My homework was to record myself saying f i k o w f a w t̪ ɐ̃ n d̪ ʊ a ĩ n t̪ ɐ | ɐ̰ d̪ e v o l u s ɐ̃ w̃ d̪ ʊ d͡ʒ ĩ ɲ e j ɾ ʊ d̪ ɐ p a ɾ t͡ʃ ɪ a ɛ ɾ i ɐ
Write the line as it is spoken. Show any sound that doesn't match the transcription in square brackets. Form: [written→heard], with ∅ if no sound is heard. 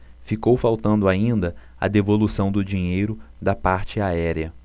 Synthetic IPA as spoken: f i k o w f a w t̪ ɐ̃ n d̪ ʊ a ĩ n [t̪→d̪] ɐ | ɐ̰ d̪ e v o l u s ɐ̃ w̃ d̪ ʊ d͡ʒ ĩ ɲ e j ɾ ʊ d̪ ɐ p a ɾ t͡ʃ ɪ a ɛ ɾ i ɐ